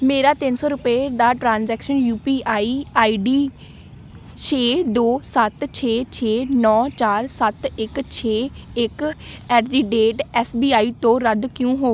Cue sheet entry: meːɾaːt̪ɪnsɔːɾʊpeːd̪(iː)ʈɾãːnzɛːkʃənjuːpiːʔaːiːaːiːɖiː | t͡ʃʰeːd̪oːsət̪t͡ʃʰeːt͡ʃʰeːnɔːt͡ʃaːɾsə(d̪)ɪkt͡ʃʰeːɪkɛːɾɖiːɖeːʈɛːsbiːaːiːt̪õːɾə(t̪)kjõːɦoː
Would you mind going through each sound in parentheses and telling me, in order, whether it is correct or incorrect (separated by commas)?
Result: incorrect, incorrect, incorrect